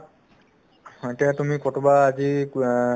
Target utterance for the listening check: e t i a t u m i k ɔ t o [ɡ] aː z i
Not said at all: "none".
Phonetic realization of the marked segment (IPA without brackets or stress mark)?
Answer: b